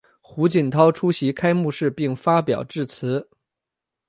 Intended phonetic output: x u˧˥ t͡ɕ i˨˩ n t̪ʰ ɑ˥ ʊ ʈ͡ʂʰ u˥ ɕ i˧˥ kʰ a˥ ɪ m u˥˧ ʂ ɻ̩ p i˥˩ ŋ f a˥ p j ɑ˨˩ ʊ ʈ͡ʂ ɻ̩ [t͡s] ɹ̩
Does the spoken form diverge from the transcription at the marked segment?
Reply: yes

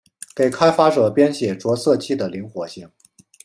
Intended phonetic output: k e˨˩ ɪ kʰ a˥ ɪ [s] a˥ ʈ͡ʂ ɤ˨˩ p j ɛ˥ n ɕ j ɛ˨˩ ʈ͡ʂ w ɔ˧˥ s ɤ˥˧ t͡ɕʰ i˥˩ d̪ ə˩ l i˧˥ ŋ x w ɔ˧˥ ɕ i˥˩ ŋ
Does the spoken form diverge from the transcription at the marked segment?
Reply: yes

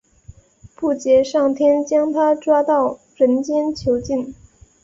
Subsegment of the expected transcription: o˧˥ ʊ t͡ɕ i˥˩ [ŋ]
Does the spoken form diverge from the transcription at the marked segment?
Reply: yes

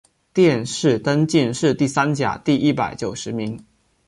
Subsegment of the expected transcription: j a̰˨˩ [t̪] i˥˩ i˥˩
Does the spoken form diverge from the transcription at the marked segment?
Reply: no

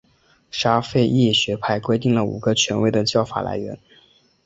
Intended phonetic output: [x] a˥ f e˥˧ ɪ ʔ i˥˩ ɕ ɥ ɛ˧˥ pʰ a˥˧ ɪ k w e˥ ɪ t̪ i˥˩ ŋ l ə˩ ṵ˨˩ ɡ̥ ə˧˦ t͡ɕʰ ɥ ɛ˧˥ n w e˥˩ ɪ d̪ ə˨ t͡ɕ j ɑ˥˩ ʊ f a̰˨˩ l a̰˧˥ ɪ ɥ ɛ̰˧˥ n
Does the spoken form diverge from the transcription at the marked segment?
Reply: yes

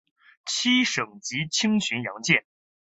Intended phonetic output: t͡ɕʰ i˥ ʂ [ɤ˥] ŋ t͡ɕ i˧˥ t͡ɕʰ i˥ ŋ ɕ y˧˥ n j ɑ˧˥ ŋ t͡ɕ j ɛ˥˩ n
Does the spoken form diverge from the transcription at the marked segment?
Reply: yes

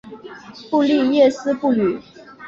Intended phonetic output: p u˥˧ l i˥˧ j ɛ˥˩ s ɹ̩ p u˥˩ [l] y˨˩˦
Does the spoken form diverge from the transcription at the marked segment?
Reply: no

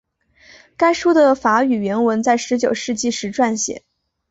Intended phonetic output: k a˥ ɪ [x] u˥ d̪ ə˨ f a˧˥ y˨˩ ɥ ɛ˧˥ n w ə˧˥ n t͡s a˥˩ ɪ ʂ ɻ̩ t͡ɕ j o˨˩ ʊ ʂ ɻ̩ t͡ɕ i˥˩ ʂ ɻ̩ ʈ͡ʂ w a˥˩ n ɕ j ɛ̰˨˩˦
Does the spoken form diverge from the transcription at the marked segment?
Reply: yes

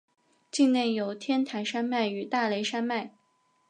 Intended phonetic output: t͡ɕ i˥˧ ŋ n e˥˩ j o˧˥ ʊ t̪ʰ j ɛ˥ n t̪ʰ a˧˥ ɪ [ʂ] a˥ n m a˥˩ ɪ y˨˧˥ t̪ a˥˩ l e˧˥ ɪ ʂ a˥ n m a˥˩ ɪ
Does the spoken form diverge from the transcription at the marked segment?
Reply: no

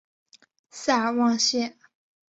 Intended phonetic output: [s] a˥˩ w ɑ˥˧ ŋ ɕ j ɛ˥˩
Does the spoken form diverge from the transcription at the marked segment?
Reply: no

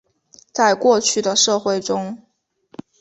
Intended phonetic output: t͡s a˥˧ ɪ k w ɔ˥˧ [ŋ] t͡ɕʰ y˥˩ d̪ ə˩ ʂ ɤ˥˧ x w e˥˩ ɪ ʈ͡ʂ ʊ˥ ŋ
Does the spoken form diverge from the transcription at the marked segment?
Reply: yes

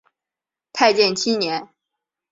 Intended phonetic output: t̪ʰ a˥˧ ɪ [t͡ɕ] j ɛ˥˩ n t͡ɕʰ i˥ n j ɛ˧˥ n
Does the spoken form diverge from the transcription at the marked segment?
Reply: no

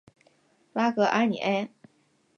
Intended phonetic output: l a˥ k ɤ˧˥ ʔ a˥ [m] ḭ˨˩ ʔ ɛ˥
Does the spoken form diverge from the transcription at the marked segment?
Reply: yes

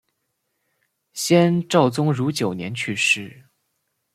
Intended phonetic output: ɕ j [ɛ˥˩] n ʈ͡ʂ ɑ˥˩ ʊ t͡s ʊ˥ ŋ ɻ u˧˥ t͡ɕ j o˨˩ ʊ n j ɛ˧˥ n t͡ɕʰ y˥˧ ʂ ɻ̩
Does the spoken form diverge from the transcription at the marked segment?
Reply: yes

